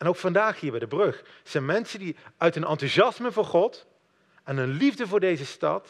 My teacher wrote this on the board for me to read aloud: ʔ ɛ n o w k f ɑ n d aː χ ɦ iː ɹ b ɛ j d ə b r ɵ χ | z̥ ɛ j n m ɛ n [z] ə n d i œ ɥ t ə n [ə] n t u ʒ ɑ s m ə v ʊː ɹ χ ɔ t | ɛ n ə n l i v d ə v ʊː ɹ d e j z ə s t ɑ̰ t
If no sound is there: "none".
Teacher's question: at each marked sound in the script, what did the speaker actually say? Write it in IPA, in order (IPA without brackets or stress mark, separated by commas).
s, ɑ